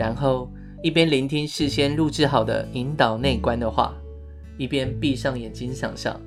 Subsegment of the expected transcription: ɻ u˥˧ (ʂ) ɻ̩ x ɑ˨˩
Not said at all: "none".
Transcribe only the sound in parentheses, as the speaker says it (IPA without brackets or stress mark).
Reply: ʈ͡ʂ